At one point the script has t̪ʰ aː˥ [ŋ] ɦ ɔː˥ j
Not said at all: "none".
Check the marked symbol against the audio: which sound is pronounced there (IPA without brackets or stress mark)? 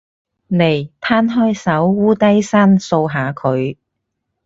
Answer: n